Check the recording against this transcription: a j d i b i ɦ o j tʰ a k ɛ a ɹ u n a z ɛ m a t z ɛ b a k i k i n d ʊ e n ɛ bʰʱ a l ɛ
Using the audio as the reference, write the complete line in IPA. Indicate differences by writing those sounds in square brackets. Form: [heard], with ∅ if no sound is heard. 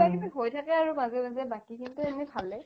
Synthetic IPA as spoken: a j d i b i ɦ o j tʰ a k ɛ a ɹ u [m] a z ɛ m a [∅] z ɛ b a k i k i n [t] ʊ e n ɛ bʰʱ a l ɛ